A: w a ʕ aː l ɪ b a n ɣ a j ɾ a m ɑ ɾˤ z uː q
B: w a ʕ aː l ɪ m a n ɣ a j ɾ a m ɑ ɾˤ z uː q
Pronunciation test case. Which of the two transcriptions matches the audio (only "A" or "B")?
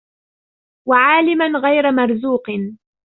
B